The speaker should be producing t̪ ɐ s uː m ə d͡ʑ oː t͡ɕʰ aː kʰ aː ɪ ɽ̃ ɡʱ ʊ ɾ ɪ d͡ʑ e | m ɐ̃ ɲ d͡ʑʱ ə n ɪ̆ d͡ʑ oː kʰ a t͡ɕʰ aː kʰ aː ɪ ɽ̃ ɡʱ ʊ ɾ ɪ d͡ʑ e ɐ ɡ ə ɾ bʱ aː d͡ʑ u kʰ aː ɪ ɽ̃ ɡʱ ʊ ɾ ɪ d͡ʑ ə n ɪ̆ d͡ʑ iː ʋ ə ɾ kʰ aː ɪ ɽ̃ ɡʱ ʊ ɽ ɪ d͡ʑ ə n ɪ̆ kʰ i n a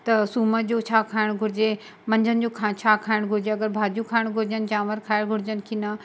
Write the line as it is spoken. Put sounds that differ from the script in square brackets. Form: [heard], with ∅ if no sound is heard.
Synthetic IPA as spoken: t̪ ɐ s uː m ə d͡ʑ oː t͡ɕʰ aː kʰ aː ɪ ɽ̃ ɡʱ ʊ ɾ ɪ d͡ʑ e | m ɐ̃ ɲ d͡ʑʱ ə n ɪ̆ d͡ʑ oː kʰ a t͡ɕʰ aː kʰ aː ɪ ɽ̃ ɡʱ ʊ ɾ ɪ d͡ʑ e ɐ ɡ ə ɾ bʱ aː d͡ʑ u kʰ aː ɪ ɽ̃ ɡʱ ʊ ɾ ɪ d͡ʑ ə n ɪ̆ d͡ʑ [aː] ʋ ə ɾ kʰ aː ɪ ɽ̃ ɡʱ ʊ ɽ ɪ d͡ʑ ə n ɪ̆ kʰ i n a